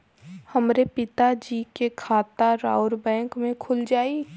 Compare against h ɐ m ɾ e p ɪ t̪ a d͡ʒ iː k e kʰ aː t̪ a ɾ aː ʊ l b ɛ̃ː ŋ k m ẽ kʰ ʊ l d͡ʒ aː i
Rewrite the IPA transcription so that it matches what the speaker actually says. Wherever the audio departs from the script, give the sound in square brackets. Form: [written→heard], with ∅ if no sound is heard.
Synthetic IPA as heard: h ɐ m ɾ e p ɪ t̪ a d͡ʒ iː k e kʰ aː t̪ a ɾ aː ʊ [l→ɾ] b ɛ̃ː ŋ k m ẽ kʰ ʊ l d͡ʒ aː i